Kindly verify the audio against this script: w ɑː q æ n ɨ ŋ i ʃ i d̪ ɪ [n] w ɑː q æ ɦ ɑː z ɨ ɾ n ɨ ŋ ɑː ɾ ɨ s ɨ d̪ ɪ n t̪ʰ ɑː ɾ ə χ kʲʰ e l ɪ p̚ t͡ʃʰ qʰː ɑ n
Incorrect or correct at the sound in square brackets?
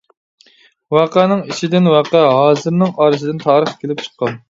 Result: correct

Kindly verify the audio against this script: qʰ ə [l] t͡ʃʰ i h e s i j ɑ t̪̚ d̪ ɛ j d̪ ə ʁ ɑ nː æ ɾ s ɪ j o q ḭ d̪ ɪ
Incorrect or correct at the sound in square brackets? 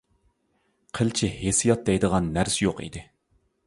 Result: correct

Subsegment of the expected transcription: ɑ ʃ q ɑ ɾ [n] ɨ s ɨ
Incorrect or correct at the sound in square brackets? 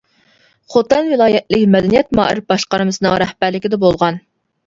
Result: incorrect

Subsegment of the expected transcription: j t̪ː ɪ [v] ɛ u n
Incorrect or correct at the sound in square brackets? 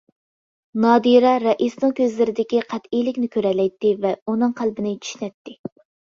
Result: correct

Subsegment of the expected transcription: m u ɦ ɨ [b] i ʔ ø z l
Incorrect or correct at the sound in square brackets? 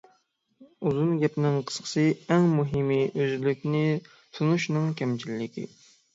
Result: incorrect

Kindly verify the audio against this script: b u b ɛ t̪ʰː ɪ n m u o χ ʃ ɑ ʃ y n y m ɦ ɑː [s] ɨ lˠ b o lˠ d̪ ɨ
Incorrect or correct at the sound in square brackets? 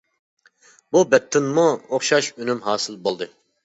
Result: correct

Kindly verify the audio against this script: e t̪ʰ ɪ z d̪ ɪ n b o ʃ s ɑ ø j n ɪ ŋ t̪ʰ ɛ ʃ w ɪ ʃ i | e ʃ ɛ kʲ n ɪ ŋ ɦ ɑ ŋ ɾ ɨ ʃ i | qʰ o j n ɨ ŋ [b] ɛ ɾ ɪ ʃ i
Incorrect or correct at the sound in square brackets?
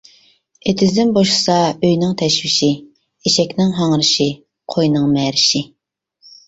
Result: incorrect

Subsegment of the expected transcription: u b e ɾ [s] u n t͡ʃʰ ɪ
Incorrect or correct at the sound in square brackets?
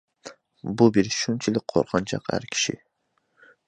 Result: incorrect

